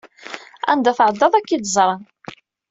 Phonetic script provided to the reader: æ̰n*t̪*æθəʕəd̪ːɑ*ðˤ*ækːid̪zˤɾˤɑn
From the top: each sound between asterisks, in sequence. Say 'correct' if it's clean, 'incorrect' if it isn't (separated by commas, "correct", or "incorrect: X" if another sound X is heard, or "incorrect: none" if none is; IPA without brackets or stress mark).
incorrect: d̪, correct